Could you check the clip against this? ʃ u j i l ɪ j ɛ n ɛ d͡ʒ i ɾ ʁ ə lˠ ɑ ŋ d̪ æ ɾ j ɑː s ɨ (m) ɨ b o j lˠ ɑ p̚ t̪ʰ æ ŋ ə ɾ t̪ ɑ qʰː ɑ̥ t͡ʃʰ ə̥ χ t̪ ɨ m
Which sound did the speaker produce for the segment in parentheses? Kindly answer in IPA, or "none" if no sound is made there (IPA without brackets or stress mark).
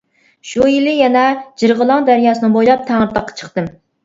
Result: n